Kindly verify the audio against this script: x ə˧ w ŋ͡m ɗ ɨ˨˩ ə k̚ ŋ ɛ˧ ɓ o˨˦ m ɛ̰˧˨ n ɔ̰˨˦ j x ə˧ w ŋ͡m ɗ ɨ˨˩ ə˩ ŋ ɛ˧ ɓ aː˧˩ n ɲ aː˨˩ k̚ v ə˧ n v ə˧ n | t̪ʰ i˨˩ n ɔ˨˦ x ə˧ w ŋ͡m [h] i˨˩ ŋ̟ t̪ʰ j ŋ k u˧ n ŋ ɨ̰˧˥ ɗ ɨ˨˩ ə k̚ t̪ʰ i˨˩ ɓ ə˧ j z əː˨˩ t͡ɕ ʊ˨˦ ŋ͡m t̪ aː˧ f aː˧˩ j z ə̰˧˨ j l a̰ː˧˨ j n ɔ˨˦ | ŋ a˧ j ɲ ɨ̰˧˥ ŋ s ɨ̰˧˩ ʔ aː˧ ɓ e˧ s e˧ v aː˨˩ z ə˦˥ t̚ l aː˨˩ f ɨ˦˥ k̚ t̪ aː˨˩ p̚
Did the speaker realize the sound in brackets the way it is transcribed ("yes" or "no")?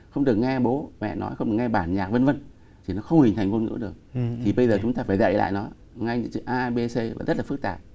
yes